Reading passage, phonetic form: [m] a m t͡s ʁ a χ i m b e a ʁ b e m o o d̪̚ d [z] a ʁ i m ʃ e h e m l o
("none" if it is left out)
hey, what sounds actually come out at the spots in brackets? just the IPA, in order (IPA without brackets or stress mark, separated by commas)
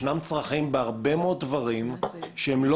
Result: n, v